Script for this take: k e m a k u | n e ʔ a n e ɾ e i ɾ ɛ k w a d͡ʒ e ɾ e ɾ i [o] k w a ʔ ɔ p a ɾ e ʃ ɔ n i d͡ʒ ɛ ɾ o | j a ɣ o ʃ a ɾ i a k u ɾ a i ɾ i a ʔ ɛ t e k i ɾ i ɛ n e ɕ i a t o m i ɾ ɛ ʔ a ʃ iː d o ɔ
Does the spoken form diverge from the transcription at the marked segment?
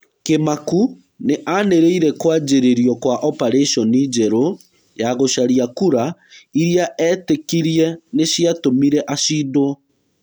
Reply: yes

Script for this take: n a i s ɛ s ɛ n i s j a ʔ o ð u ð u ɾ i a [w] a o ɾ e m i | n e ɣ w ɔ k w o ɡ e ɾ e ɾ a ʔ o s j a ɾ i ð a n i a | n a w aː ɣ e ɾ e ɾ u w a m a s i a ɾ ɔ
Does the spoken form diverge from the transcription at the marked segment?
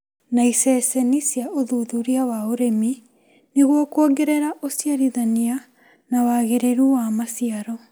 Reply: no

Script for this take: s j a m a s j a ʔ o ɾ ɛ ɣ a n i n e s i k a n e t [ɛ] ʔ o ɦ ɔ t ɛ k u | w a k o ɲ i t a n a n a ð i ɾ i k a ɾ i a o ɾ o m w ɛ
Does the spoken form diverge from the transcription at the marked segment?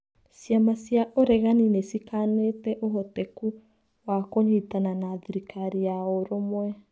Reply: no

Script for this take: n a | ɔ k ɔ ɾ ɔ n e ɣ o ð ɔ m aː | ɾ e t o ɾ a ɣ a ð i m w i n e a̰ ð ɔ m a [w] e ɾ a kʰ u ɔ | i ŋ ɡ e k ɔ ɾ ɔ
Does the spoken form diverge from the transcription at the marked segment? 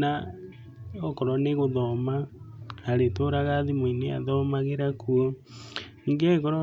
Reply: yes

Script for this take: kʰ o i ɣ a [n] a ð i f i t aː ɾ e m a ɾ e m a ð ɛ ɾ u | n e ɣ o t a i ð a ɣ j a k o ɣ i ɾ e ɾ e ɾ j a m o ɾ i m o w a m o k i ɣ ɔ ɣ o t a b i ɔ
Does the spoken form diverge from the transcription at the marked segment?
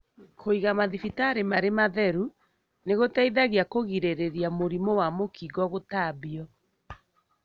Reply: yes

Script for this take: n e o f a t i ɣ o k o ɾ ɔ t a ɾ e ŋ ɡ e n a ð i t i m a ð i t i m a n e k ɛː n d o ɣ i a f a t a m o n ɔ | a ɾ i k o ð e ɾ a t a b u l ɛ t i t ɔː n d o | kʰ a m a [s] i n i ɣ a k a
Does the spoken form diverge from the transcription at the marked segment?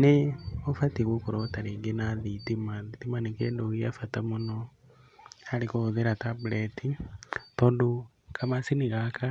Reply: no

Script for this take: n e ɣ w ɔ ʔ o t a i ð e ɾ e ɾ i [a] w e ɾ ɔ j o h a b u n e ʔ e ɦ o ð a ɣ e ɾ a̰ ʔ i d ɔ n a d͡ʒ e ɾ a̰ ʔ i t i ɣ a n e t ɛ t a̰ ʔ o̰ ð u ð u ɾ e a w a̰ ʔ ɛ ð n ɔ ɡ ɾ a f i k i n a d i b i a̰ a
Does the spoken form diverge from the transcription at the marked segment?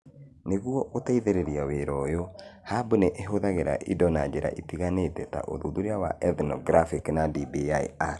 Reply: no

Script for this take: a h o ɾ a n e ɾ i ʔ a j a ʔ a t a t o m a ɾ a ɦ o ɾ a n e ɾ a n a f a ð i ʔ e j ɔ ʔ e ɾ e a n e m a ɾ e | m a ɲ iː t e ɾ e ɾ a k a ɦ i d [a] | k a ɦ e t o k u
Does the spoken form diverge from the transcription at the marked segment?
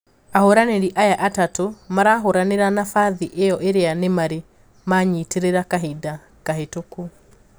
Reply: no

